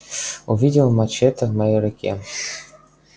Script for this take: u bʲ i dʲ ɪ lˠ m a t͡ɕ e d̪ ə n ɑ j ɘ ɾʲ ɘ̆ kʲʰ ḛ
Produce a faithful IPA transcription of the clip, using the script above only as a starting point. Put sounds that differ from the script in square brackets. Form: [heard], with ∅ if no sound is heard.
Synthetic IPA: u [vʲ] i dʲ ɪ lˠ m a t͡ɕ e [t̪] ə [m] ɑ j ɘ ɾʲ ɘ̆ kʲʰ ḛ